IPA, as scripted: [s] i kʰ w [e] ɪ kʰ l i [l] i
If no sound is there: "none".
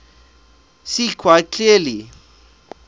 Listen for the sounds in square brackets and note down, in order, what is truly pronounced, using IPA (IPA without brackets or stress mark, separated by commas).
s, a, l